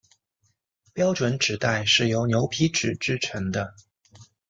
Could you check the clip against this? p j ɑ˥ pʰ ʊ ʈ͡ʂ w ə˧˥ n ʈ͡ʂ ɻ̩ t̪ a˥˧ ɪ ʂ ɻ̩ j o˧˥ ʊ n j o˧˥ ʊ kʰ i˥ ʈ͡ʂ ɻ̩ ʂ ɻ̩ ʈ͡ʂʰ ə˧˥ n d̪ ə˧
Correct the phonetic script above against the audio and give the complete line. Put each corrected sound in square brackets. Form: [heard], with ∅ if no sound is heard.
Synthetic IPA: p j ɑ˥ [∅] ʊ ʈ͡ʂ w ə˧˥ n ʈ͡ʂ ɻ̩ t̪ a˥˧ ɪ ʂ ɻ̩ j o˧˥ ʊ n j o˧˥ ʊ [pʰ] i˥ ʈ͡ʂ ɻ̩ [ʈ͡ʂ] ɻ̩ ʈ͡ʂʰ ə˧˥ [ŋ] d̪ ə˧